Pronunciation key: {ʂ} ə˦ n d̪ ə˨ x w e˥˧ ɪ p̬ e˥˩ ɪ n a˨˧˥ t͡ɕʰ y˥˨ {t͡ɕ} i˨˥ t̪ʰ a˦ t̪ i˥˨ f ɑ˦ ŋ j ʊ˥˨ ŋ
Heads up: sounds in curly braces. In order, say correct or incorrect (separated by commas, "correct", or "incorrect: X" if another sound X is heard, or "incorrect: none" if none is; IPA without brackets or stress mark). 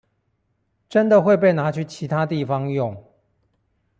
incorrect: ʈ͡ʂ, incorrect: t͡ɕʰ